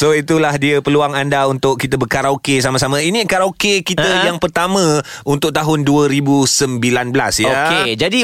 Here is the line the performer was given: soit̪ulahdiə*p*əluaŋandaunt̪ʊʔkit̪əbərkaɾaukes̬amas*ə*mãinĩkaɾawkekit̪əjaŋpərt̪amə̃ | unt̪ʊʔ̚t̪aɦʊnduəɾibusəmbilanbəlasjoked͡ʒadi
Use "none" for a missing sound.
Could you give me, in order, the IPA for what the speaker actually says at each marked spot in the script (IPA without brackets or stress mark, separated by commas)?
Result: p, a